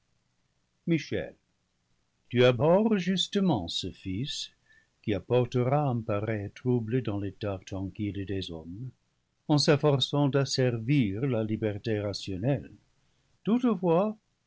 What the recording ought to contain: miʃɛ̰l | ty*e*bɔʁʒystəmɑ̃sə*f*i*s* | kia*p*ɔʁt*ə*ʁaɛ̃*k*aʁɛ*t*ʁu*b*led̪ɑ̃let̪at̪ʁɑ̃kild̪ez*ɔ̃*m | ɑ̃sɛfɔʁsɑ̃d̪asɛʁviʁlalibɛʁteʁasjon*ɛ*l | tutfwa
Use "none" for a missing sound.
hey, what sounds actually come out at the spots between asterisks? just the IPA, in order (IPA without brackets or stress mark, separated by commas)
a, f, s, p, ə, p, t, b, ɔ, ɛ